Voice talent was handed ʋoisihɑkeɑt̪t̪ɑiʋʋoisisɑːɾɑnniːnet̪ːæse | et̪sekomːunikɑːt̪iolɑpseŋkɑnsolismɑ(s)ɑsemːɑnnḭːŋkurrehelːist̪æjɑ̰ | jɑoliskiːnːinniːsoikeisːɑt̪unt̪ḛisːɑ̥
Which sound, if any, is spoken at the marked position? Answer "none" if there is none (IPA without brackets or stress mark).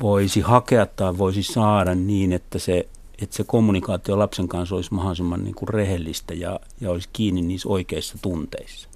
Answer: h